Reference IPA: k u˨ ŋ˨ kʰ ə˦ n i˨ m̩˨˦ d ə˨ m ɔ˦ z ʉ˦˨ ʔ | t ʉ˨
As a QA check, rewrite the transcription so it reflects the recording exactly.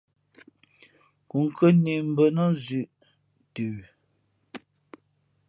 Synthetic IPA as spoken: k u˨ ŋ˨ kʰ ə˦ n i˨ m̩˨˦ b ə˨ n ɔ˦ z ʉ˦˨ ʔ | t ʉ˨